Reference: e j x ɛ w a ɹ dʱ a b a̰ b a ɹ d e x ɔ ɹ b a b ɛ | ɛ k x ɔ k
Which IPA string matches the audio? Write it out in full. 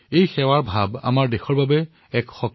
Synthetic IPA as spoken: e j x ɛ w a ɹ bʱ a b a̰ m a ɹ d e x ɔ ɹ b a b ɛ | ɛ k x ɔ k